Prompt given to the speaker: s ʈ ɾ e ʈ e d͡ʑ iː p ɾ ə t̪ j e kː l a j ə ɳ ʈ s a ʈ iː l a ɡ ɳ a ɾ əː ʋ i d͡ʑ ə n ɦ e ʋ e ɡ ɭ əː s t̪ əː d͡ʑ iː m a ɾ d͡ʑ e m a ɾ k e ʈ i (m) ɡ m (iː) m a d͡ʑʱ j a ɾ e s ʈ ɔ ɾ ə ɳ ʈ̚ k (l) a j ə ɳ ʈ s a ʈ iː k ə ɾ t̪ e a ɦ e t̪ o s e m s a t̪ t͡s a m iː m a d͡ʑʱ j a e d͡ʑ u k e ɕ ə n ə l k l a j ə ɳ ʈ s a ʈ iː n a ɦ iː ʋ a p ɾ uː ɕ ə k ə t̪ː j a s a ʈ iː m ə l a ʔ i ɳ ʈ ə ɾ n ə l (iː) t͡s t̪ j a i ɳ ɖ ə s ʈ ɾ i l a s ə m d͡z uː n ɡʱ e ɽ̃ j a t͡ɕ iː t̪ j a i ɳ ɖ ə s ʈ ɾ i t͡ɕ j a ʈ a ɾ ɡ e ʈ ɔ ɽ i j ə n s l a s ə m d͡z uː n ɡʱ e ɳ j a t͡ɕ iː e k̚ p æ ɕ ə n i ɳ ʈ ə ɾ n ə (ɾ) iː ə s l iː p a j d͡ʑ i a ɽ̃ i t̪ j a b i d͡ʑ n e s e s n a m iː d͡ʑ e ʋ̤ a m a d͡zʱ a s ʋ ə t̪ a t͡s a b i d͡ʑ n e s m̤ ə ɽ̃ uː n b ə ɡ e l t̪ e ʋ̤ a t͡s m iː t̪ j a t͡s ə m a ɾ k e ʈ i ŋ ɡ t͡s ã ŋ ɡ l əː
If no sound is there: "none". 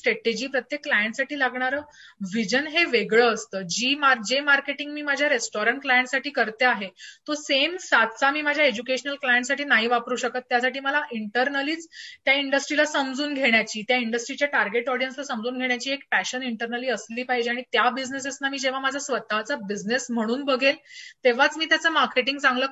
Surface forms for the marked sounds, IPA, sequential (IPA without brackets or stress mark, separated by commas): ŋ, iː, l, iː, l